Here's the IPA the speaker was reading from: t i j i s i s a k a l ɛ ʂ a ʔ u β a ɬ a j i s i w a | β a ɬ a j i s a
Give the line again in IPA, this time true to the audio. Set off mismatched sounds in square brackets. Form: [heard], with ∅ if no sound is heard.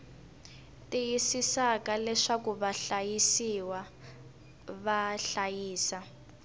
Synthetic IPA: t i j i s i s a k a l ɛ ʂ a [k] u β a ɬ a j i s i w a | β a ɬ a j [iː] s a